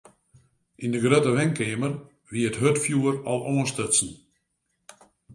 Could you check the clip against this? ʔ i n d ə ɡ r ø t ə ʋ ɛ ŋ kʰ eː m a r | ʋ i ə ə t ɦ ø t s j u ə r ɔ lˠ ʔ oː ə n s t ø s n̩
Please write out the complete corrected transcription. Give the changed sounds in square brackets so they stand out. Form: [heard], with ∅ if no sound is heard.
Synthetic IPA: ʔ i n d ə ɡ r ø t ə ʋ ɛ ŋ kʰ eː m [ə] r | ʋ i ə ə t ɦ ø t [f] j u ə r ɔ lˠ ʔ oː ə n s t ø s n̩